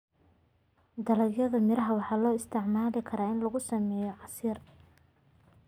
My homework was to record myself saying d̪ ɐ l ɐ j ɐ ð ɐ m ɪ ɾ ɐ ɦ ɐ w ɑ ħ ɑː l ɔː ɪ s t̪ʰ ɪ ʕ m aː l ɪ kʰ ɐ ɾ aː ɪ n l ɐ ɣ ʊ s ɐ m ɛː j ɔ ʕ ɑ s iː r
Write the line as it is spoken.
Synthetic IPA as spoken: d̪ ɐ l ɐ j ɐ ð ɐ m ɪ ɾ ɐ ɦ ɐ w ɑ ħ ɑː l ɔː ɪ s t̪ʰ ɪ ʕ m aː l ɪ kʰ ɐ ɾ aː ɪ n l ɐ ɣ ʊ s ɐ m ɛː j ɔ ʕ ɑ s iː r